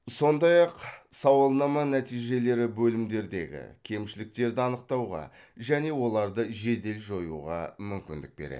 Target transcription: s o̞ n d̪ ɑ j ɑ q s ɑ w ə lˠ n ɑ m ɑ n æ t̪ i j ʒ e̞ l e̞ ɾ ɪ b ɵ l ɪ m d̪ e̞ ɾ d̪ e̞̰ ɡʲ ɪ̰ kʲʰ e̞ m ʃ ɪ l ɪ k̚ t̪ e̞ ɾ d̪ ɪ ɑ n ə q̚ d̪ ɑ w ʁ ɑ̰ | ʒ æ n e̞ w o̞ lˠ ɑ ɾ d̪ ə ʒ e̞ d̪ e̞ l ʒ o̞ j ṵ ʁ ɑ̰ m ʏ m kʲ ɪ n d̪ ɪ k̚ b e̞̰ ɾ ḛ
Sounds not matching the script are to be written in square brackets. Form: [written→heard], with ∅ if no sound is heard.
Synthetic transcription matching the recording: s o̞ n d̪ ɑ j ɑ q s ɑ w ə lˠ n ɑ m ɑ n æ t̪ i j ʒ e̞ l e̞ ɾ ɪ b ɵ l ɪ m d̪ e̞ ɾ d̪ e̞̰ ɡʲ ɪ̰ kʲʰ e̞ m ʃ ɪ l ɪ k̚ t̪ e̞ ɾ d̪ ɪ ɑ n ə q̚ [d̪→t̪] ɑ w ʁ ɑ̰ | ʒ æ n e̞ w o̞ lˠ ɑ ɾ d̪ ə ʒ e̞ d̪ e̞ l ʒ o̞ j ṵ ʁ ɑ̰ m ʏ m kʲ ɪ n d̪ ɪ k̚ b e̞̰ ɾ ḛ